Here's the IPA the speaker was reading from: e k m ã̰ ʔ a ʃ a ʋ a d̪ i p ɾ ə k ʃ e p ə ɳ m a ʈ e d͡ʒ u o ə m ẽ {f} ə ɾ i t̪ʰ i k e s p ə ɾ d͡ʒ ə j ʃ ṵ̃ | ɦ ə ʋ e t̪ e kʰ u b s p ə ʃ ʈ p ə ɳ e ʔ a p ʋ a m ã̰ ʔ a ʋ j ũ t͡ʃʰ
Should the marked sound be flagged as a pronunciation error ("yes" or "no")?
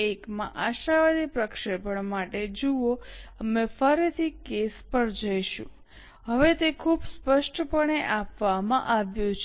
no